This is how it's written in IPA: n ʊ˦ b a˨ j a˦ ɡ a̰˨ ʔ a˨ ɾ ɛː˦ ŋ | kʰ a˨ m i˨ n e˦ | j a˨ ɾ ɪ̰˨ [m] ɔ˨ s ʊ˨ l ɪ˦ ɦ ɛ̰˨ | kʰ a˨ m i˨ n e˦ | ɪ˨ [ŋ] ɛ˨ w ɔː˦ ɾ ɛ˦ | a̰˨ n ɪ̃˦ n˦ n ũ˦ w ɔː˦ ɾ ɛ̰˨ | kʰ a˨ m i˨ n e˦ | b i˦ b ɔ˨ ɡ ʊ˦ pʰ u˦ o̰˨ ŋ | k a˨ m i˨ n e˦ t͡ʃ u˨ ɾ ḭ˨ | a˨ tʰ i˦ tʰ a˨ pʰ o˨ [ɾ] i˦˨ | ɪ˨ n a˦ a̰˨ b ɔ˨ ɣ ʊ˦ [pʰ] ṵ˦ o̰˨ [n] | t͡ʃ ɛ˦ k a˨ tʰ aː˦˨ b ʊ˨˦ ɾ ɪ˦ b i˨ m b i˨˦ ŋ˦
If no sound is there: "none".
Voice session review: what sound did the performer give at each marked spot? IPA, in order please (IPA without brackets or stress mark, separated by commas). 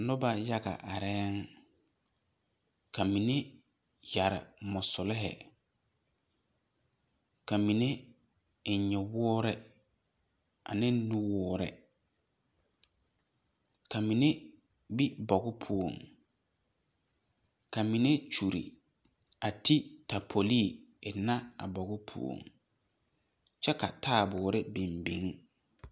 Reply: m, ɲ, l, pʰ, ŋ